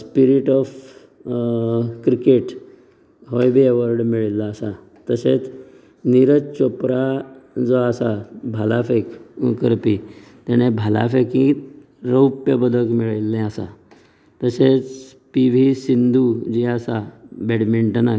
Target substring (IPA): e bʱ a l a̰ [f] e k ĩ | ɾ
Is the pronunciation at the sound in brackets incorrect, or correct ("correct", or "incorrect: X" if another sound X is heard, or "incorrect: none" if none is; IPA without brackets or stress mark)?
correct